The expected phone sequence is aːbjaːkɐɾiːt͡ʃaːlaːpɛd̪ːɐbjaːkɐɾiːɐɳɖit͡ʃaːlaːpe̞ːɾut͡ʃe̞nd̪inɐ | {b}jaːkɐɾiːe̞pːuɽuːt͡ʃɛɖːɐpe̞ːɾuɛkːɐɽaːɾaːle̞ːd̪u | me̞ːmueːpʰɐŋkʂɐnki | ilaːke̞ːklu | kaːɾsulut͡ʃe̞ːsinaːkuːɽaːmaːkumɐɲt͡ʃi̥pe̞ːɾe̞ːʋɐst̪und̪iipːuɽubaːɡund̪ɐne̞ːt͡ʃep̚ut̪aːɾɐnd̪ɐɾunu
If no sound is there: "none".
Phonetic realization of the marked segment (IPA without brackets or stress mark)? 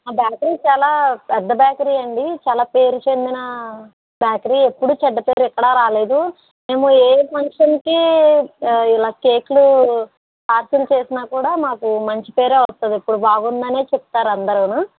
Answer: b